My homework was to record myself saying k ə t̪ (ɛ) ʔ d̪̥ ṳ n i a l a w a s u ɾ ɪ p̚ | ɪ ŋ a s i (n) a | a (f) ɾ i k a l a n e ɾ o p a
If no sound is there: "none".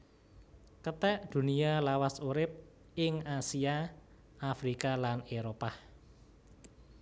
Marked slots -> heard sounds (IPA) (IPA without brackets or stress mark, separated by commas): ɛ, none, f